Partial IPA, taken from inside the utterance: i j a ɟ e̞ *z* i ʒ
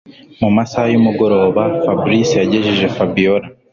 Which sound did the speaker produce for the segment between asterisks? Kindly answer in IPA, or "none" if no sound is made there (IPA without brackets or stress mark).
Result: ʒ